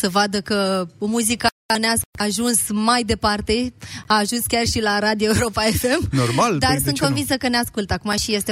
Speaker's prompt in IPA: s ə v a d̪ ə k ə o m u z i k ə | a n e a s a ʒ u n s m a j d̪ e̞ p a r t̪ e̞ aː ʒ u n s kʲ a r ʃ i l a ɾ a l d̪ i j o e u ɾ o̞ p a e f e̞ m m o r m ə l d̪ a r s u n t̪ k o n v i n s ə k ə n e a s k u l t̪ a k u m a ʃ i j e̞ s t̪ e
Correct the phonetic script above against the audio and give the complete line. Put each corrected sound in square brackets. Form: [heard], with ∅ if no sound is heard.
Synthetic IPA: s ə v a d̪ ə k ə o m u z i k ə | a n e a s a ʒ u n s m a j d̪ e̞ p a r t̪ e̞ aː ʒ u n s kʲ a r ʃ i l a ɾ a [∅] d̪ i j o e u ɾ o̞ p a e f e̞ m [n] o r m [a] l d̪ a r s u n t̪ k o n v i n s ə k ə n e a s k u l t̪ a k u m a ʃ i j e̞ s t̪ e